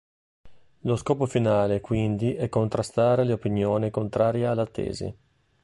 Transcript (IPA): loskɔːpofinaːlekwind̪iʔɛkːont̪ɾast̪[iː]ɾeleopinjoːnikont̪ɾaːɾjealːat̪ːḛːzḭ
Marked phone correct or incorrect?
incorrect